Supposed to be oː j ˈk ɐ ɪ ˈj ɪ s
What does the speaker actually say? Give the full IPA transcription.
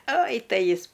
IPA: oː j ˈt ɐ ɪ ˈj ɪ s